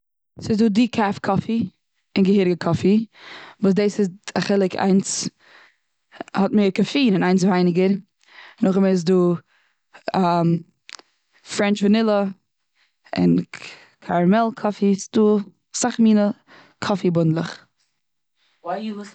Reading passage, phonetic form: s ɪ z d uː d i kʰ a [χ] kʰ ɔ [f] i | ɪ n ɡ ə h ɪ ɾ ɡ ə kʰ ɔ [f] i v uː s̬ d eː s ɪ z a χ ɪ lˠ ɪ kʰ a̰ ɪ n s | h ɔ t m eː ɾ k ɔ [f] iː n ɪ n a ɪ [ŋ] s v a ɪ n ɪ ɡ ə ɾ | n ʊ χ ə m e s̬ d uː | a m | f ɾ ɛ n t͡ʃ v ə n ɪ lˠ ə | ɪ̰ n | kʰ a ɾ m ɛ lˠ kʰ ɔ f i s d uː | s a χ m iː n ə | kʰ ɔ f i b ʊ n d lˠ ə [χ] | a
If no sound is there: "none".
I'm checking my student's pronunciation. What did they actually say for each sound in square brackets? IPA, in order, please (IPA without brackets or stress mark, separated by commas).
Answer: f, f, f, f, n, χ